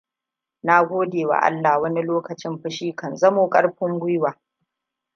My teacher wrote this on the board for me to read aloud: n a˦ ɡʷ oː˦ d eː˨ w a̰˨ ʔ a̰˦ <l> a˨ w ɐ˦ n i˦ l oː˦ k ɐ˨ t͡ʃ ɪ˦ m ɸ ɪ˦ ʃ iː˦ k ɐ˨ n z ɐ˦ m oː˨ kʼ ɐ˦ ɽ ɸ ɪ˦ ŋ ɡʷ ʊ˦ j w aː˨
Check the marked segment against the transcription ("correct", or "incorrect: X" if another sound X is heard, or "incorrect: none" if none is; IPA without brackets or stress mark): incorrect: lː